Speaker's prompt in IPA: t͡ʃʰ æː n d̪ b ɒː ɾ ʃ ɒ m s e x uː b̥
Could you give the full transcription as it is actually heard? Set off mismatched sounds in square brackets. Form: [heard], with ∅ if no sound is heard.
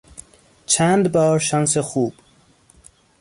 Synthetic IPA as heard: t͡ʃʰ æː n d̪ b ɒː ɾ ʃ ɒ [n] s e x uː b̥